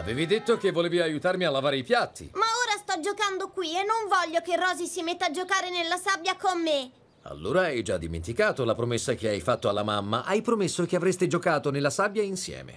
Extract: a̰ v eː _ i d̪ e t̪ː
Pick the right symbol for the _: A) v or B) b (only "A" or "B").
A